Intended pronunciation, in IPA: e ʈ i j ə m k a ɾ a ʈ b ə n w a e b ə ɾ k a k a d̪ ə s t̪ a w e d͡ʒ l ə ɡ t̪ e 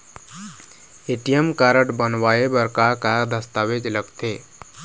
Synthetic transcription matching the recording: e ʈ i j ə m k a ɾ ə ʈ b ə n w a e b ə ɾ k a k a d̪ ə s t̪ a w e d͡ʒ l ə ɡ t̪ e